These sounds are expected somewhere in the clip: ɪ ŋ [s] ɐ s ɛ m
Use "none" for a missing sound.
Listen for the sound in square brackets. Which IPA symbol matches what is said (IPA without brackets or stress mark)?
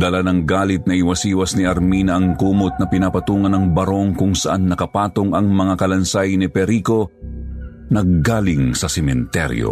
s